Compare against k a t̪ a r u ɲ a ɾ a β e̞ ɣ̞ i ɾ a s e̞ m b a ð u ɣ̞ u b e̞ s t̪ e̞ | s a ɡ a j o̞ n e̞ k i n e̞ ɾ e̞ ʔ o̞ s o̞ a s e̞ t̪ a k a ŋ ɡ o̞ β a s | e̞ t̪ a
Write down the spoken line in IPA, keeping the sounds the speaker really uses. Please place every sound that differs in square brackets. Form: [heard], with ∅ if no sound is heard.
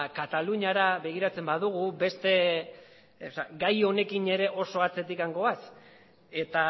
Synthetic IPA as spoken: k a t̪ a [l] u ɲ a ɾ a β e̞ ɣ̞ i ɾ a [t͡s] e̞ m b a ð u ɣ̞ u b e̞ s t̪ e̞ | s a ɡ a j o̞ n e̞ k i n e̞ ɾ e̞ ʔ o̞ s o̞ a [t͡s] e̞ t̪ [i] k a ŋ ɡ o̞ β a s | e̞ t̪ a